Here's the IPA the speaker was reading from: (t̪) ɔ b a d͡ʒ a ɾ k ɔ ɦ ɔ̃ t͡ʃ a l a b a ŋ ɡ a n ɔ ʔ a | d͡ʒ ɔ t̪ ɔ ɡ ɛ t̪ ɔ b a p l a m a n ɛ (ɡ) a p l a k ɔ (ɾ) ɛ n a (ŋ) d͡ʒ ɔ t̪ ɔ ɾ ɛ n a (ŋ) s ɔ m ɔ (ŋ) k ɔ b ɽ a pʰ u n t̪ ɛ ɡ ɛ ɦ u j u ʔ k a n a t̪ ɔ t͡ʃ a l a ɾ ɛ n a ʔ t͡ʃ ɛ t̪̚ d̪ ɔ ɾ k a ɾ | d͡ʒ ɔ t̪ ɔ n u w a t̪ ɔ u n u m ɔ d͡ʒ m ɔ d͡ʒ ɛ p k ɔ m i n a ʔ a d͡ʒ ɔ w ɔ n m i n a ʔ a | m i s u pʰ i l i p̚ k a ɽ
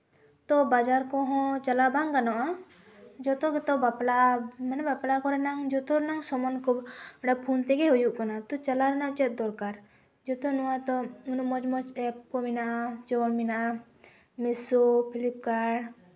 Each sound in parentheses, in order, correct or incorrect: correct, incorrect, correct, correct, correct, incorrect

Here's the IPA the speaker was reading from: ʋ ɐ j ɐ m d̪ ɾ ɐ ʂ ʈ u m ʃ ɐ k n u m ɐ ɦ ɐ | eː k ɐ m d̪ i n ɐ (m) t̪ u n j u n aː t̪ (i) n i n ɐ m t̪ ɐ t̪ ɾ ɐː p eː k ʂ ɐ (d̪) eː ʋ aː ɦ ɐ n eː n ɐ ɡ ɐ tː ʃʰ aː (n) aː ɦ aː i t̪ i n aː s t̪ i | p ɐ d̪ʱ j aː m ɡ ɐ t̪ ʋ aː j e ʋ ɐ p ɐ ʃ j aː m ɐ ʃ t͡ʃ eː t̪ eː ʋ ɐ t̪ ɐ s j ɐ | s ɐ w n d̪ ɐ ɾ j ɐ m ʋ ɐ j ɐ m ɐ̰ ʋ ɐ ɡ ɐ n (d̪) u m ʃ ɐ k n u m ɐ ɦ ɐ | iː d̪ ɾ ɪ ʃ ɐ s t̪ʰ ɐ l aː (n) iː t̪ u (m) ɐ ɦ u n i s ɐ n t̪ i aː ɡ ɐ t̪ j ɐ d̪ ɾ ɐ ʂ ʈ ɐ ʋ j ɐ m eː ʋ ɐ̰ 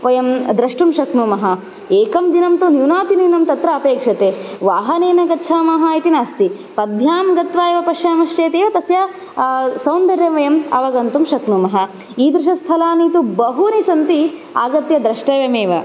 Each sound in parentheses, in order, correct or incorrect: correct, correct, incorrect, incorrect, incorrect, correct, incorrect

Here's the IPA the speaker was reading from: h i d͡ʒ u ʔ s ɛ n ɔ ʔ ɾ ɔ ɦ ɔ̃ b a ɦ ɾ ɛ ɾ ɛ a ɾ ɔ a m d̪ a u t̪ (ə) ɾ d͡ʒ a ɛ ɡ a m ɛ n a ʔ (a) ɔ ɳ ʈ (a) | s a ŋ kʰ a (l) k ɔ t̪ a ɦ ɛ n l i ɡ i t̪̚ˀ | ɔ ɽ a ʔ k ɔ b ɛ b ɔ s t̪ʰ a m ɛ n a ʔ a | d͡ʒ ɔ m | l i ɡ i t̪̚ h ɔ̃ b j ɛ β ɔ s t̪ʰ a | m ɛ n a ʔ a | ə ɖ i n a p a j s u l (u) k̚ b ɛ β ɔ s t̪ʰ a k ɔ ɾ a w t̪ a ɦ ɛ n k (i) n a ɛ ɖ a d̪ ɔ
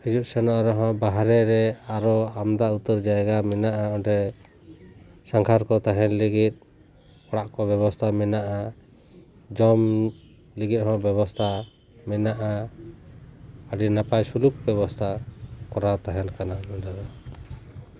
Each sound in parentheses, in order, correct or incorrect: correct, correct, incorrect, incorrect, correct, incorrect

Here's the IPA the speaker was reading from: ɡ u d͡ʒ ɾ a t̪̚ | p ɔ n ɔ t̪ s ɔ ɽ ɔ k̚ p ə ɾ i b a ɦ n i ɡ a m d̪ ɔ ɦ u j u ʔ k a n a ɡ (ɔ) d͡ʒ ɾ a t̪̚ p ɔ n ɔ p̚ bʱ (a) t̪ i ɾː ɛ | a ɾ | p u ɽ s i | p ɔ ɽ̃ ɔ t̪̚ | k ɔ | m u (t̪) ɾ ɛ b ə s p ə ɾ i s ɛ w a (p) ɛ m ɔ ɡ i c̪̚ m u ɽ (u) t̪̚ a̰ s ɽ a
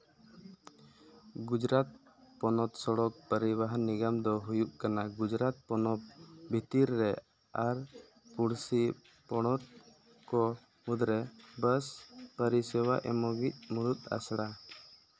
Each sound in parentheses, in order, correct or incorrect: incorrect, incorrect, incorrect, incorrect, correct

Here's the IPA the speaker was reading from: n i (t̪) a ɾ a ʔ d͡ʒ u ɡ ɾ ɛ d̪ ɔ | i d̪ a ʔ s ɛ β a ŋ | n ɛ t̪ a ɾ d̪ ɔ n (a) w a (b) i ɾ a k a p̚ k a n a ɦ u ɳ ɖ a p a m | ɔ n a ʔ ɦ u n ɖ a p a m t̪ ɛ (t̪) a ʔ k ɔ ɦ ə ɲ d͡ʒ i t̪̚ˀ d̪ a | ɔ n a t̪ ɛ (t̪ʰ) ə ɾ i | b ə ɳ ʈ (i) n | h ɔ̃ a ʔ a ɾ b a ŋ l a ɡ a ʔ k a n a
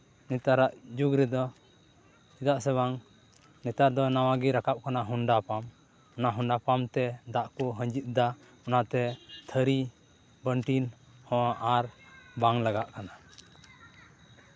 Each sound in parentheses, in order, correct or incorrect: correct, correct, incorrect, incorrect, correct, correct

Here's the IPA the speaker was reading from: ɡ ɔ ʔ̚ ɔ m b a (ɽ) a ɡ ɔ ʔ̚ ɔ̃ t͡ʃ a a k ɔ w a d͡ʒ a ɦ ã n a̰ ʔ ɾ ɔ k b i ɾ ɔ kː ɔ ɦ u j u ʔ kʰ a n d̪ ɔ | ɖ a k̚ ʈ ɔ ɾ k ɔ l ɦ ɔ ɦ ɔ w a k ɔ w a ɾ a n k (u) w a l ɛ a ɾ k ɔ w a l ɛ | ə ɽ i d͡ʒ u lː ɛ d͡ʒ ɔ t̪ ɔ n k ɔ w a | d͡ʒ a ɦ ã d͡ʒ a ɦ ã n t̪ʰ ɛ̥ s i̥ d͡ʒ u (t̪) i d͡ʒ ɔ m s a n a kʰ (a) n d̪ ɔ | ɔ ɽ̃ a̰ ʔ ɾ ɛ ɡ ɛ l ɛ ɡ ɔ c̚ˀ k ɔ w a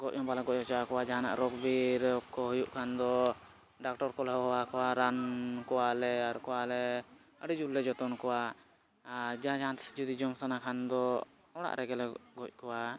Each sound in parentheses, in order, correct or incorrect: incorrect, incorrect, incorrect, correct

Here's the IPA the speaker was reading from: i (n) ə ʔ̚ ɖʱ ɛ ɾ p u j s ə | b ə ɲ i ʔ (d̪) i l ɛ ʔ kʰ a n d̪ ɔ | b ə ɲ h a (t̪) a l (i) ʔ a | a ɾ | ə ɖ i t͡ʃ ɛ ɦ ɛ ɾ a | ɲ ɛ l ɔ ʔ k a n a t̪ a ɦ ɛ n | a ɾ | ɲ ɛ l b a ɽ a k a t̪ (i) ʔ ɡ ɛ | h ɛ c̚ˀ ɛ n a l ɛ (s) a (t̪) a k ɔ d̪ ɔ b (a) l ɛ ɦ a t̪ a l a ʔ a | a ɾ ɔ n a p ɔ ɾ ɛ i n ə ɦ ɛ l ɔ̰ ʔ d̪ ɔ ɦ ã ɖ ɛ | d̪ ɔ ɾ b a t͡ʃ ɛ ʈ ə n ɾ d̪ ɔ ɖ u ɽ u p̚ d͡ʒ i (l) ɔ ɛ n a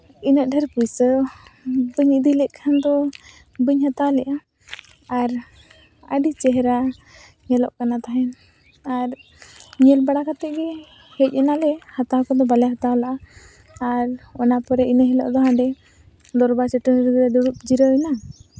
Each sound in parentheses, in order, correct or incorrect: correct, correct, correct, incorrect, incorrect, incorrect, correct, correct, incorrect

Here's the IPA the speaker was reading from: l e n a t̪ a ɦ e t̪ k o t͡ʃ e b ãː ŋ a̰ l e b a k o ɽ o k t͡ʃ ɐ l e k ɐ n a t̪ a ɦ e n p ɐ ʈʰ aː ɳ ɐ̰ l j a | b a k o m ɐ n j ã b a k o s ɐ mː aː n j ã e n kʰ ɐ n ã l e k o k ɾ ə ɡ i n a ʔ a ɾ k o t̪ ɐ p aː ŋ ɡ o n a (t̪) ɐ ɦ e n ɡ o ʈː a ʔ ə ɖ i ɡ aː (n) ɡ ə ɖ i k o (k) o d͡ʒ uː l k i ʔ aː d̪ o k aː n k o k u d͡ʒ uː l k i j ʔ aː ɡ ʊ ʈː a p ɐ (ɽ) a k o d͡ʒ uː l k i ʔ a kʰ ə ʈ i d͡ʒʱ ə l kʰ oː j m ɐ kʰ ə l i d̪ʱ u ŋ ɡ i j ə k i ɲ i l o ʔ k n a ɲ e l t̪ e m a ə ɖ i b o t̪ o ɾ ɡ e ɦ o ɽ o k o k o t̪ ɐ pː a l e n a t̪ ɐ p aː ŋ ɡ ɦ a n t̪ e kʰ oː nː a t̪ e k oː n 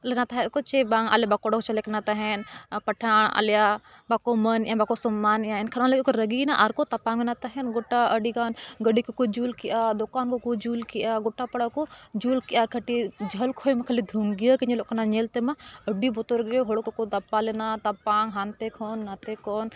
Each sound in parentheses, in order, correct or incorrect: correct, correct, correct, correct

